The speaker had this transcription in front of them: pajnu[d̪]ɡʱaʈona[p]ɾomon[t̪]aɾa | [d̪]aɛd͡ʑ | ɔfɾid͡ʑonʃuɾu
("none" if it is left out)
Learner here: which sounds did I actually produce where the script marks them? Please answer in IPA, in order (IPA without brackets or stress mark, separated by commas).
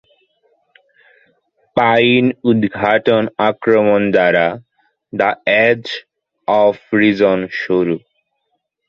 d̪, k, d̪, d̪